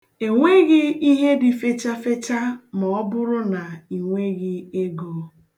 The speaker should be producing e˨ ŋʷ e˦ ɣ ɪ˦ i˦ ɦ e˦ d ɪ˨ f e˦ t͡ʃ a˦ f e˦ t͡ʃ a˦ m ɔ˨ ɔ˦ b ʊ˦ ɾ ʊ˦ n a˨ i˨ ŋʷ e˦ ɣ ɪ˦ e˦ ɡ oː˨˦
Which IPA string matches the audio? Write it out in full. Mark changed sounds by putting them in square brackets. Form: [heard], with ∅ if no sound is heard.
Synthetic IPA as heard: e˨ ŋʷ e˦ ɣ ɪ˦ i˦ ɦ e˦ d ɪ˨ f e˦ t͡ʃ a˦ f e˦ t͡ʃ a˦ m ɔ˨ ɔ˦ b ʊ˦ ɾ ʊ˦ n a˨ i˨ ŋʷ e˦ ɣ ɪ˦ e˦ ɡ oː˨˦